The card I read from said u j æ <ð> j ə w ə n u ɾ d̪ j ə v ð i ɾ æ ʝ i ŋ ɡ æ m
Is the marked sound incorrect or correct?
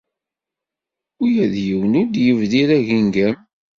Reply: correct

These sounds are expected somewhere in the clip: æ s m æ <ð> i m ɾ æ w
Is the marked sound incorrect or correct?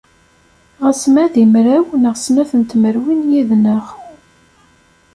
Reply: correct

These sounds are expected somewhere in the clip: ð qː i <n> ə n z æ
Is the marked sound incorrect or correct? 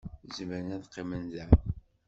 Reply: incorrect: m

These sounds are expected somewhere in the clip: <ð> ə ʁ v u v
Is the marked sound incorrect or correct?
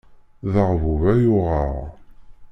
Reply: correct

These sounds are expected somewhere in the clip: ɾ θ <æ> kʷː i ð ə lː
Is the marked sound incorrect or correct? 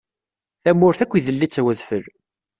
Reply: correct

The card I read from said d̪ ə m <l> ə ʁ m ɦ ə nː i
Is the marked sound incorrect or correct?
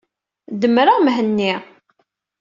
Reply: incorrect: ɾ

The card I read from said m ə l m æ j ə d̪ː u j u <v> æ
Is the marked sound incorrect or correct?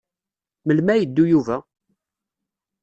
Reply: correct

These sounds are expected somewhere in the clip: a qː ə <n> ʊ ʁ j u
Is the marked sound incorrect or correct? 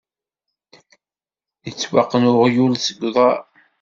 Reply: correct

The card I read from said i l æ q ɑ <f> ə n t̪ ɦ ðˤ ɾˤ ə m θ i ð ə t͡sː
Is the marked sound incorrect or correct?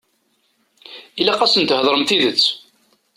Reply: incorrect: s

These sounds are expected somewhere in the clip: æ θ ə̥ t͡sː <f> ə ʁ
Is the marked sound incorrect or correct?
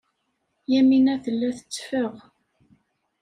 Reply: correct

